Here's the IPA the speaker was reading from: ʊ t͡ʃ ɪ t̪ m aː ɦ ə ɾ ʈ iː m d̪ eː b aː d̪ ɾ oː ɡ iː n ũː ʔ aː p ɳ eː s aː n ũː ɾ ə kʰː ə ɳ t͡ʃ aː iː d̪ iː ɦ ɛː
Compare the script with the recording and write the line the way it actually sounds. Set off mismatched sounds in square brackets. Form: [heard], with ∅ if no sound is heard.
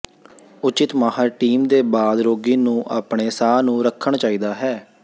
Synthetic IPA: ʊ t͡ʃ ɪ t̪ m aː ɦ ə ɾ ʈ iː m d̪ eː b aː d̪ ɾ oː ɡ iː n ũː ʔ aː p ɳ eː s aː n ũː ɾ ə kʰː ə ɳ t͡ʃ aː iː d̪ [aː] ɦ ɛː